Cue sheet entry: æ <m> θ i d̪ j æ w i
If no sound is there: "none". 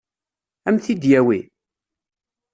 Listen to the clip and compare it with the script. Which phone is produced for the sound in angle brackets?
m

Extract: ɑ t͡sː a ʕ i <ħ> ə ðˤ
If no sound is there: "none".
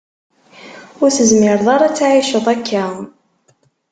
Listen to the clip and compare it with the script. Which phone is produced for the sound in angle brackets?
ʃ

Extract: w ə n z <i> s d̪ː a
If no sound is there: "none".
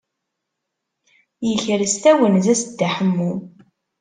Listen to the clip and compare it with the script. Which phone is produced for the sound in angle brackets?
æ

